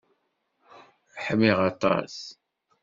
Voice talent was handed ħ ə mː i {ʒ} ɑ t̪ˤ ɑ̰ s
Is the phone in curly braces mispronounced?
yes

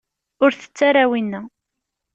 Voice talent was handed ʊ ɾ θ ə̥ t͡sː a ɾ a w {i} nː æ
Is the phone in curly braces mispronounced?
no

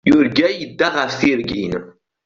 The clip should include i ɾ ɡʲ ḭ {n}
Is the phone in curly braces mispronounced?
no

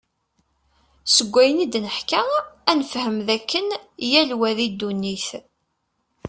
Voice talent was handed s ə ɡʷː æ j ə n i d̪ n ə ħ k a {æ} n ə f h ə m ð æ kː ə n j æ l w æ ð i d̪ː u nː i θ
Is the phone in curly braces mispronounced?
no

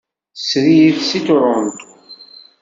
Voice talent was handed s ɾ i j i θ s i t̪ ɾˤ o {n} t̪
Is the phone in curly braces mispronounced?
no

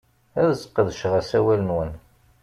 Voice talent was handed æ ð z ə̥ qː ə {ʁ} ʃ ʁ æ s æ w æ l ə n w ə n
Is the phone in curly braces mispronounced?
yes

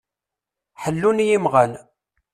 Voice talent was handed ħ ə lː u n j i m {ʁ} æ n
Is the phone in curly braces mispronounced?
no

